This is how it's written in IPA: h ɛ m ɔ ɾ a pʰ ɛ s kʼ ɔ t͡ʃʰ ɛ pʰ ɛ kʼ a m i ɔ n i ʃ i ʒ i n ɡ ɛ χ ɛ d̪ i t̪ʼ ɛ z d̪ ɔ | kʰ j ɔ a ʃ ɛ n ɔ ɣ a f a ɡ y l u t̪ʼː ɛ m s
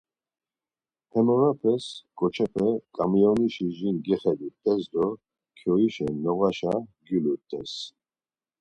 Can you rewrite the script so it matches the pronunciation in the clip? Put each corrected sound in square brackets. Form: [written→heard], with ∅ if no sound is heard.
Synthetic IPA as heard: h ɛ m ɔ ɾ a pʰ ɛ s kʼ ɔ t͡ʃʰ ɛ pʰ ɛ kʼ a m i ɔ n i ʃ i ʒ i n ɡ ɛ χ ɛ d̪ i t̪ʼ ɛ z d̪ ɔ | kʰ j ɔ [a→i] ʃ ɛ n ɔ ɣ a [f→ʃ] a ɡ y l u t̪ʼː ɛ [m→∅] s